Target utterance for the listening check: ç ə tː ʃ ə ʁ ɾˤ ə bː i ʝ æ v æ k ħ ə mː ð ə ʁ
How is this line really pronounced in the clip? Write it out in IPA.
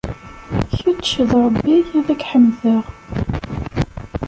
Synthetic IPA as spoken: ç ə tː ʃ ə ð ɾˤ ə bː i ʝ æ ð æ k ħ ə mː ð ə ʁ